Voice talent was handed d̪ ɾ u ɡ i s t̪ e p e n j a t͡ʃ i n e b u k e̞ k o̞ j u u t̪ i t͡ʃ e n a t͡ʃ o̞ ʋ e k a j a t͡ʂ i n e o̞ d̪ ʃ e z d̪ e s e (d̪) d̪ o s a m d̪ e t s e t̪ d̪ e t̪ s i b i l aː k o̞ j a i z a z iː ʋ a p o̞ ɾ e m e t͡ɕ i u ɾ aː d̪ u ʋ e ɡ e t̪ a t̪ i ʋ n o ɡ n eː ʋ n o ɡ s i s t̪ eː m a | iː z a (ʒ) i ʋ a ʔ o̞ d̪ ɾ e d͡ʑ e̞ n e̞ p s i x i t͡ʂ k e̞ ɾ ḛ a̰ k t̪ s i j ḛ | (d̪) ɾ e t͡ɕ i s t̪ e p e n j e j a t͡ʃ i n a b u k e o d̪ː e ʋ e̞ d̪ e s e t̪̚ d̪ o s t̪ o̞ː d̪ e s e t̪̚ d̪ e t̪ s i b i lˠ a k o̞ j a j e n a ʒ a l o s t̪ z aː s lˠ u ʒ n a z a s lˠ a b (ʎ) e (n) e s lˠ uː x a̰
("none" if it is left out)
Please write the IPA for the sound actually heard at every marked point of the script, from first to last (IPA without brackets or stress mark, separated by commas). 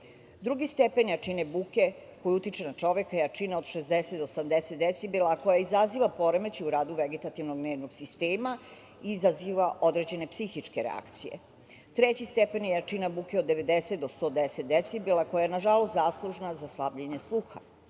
t̪, z, t̪, ʎ, ɲ